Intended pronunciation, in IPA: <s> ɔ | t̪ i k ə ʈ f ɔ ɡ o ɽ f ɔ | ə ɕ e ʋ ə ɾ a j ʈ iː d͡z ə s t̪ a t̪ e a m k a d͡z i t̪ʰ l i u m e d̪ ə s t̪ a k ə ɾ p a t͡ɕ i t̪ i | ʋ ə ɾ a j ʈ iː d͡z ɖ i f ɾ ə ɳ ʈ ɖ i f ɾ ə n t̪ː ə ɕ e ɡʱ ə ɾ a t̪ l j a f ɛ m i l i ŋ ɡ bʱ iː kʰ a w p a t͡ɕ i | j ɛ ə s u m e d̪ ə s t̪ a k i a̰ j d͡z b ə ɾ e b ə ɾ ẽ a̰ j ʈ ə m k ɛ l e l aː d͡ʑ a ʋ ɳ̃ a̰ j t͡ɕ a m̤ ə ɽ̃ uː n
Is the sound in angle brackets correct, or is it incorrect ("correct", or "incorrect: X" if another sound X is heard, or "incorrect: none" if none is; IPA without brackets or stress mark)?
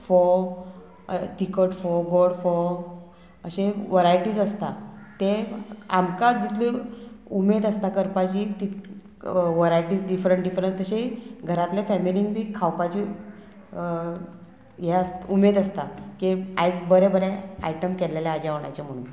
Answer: incorrect: f